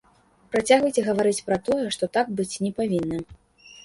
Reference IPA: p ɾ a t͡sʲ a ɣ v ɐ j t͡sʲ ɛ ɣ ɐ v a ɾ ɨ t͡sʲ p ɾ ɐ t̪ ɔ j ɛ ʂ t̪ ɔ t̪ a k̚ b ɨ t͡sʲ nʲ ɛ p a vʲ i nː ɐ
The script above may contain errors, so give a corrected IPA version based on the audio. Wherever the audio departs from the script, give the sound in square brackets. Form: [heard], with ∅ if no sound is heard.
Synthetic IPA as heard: p ɾ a t͡sʲ a ɣ v ɐ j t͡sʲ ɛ ɣ ɐ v a ɾ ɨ t͡sʲ p ɾ ɐ t̪ ɔ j ɛ ʂ t̪ ɔ t̪ a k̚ b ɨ t͡sʲ nʲ ɛ p a vʲ i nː ɐ